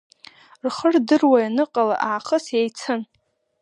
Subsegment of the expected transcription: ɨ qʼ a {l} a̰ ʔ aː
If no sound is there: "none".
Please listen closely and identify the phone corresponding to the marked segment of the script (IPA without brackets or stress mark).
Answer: l